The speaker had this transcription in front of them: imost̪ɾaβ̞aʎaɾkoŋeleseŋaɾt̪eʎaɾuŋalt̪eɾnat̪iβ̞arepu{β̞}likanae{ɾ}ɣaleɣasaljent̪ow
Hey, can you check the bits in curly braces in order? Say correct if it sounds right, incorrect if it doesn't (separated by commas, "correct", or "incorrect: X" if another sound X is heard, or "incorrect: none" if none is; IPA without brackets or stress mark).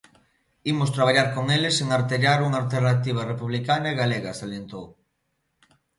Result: correct, incorrect: none